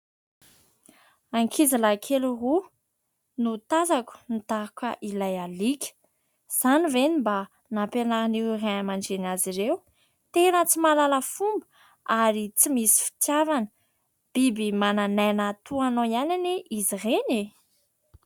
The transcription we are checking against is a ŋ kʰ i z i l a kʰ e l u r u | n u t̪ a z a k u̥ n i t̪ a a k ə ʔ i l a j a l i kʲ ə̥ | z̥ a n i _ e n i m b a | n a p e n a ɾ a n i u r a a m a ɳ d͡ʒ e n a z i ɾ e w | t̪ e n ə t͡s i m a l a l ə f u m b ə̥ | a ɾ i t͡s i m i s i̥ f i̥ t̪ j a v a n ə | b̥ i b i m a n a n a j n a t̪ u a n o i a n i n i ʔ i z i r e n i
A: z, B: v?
B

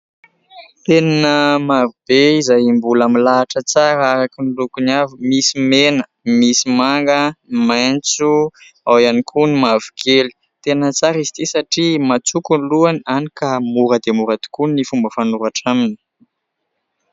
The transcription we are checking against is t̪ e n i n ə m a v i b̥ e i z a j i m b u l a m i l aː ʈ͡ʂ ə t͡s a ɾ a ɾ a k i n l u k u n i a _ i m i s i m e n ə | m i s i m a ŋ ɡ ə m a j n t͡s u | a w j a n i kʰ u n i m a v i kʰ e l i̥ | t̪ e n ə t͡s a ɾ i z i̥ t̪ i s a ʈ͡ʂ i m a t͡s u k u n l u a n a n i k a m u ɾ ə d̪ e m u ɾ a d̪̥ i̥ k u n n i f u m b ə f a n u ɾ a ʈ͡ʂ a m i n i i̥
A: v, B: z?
A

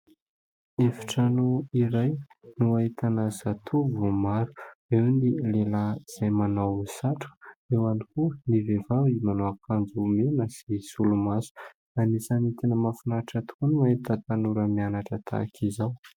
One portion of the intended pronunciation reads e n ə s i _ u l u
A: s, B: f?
A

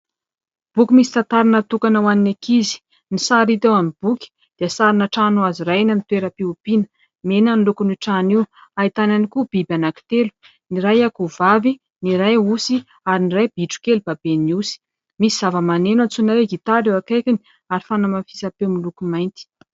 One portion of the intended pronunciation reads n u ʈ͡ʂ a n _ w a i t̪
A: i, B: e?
A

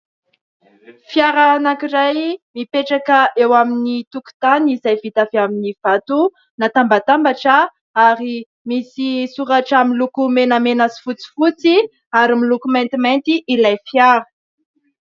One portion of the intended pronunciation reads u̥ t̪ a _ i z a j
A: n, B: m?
A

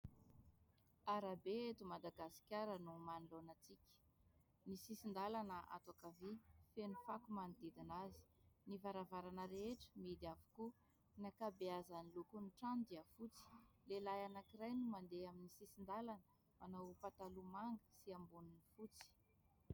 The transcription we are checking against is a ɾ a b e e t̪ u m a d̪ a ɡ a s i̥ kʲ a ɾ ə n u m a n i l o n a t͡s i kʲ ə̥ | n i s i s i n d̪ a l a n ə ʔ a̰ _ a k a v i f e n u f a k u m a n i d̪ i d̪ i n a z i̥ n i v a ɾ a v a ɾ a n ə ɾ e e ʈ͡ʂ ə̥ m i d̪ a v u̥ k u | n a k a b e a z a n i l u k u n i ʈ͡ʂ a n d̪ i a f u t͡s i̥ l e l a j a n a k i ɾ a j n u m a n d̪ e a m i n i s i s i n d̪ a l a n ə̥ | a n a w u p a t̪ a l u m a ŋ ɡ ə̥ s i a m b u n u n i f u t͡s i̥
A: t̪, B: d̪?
A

